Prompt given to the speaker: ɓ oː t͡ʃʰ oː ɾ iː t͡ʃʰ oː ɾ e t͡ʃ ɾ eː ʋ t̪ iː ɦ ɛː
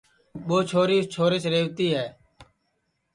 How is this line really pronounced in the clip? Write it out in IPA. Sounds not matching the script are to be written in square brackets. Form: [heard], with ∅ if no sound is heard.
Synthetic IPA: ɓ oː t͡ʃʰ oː ɾ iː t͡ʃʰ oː ɾ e t͡ʃ ɾ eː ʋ t̪ iː ɦ ɛː